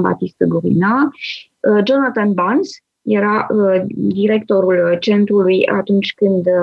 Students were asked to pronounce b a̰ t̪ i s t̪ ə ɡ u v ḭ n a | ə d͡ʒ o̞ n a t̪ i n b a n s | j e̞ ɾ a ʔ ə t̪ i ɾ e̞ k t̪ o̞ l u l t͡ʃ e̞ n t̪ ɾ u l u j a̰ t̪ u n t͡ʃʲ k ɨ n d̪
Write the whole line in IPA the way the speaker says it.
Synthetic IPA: b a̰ t̪ i s t̪ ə ɡ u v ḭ n a | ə d͡ʒ o̞ n a t̪ a n b a n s | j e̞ ɾ a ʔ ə d̪ i ɾ e̞ k t̪ o̞ ɾ u l t͡ʃ e̞ n t̪ ɾ u l u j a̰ t̪ u n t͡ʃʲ k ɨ n d̪